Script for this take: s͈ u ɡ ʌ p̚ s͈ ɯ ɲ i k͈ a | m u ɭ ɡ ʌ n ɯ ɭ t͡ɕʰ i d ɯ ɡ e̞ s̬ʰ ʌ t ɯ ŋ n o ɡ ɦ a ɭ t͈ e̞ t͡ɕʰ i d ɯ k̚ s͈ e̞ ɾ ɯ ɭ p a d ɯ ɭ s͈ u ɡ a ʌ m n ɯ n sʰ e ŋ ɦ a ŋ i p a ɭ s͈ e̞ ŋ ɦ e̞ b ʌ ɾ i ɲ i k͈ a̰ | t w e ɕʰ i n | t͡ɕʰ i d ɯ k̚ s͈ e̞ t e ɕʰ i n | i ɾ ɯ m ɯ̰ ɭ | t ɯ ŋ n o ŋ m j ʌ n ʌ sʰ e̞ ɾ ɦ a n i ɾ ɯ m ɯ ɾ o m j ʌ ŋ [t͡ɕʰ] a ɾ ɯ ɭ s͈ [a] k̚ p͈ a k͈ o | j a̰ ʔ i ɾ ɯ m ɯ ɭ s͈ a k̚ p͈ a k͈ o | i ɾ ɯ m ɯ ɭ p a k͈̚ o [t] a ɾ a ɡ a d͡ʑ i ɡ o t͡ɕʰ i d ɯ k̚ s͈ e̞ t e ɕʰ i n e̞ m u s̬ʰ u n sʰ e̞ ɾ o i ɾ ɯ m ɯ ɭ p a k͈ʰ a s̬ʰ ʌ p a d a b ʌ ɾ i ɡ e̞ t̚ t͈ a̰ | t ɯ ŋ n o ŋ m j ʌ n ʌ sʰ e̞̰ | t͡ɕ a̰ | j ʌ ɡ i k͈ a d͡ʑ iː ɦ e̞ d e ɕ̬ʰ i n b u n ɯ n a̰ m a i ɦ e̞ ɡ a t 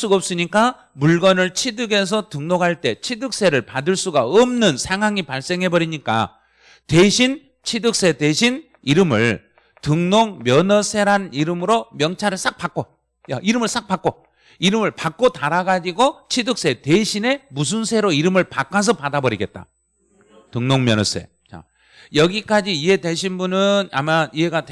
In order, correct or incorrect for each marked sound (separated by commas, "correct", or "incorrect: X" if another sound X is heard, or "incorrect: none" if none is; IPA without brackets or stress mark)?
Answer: correct, correct, correct